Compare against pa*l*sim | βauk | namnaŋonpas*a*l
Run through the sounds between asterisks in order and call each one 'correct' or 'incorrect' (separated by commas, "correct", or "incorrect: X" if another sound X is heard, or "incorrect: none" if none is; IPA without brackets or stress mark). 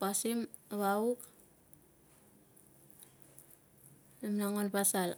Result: incorrect: none, correct